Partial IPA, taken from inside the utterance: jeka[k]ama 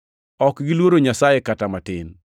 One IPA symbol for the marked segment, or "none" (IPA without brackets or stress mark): t